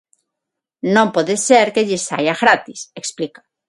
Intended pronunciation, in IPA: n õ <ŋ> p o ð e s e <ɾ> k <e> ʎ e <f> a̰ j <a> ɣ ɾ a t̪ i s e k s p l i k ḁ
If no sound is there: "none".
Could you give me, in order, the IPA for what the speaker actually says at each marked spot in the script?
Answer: m, ɾ, e, s, a

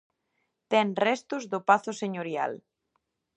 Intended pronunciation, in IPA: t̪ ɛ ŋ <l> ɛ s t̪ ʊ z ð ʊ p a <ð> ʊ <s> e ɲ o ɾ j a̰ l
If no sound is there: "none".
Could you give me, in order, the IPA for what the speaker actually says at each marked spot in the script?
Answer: r, θ, s

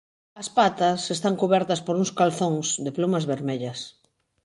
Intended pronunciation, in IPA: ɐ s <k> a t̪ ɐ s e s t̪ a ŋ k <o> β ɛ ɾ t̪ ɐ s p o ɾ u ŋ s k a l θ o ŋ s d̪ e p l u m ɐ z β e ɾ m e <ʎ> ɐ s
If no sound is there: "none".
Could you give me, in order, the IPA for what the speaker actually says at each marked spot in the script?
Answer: p, u, ʎ

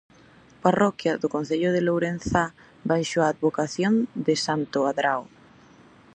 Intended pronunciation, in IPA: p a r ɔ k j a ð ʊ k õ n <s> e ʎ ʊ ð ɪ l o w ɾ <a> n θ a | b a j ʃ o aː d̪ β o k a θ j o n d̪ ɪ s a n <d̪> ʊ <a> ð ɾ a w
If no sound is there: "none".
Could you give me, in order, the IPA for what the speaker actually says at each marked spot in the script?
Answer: θ, e, t̪, a

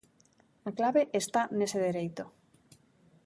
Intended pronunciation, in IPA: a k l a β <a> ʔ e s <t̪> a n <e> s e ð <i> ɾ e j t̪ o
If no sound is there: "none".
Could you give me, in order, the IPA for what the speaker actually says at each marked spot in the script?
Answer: e, t̪, e, e

